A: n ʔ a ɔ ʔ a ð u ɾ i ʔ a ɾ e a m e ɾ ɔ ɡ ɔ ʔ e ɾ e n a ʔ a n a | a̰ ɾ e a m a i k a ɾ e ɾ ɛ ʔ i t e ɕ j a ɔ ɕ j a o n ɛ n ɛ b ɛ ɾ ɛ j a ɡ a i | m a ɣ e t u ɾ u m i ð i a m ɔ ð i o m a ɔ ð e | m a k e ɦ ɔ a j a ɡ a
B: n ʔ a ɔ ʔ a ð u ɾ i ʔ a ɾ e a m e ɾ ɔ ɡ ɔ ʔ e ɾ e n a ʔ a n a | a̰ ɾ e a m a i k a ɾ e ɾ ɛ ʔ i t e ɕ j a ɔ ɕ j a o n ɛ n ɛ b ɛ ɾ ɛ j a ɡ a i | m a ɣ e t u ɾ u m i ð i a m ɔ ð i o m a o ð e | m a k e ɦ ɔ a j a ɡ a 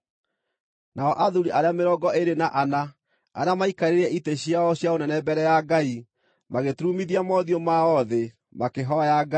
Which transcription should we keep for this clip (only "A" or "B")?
A